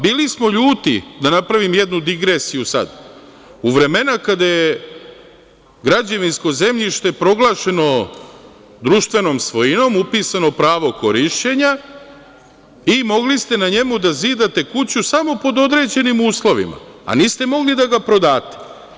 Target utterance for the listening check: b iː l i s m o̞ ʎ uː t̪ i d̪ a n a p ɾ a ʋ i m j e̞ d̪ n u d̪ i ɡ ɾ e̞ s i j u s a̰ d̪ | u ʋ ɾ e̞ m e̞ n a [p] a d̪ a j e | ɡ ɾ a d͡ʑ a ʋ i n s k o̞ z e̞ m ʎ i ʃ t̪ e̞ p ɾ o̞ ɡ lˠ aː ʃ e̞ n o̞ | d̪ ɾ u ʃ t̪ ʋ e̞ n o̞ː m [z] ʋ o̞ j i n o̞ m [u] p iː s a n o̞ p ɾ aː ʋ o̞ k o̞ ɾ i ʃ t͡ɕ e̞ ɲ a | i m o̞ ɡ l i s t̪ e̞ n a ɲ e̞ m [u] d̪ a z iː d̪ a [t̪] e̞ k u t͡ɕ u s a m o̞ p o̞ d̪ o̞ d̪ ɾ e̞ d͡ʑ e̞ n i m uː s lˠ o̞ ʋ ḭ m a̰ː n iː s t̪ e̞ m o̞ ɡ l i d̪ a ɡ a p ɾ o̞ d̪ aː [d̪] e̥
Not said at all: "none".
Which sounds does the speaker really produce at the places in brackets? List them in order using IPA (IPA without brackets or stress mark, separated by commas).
k, s, u, u, t̪, t̪